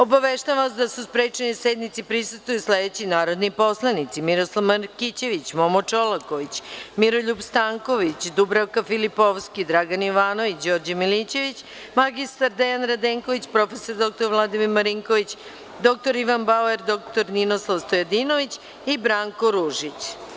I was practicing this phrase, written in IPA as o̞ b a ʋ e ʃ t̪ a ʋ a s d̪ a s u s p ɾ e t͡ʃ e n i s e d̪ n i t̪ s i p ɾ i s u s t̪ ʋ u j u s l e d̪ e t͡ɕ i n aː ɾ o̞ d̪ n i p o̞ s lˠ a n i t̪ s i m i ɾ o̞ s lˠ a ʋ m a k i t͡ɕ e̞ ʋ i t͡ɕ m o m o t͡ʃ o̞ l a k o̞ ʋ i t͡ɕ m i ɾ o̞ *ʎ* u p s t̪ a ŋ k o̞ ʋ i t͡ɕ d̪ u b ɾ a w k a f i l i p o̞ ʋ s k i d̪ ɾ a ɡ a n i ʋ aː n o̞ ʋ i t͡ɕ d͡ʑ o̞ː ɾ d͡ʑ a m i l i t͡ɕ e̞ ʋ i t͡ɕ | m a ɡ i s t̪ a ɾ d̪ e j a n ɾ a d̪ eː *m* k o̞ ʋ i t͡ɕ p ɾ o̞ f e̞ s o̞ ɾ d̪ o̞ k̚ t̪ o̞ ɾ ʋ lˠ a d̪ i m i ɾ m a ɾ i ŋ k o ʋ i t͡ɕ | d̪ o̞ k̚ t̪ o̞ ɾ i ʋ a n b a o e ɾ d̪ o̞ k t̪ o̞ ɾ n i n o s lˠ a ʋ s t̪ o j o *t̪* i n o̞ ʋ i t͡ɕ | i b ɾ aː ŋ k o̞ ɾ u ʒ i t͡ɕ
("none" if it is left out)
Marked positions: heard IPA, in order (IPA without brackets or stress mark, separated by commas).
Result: ʎ, ŋ, d̪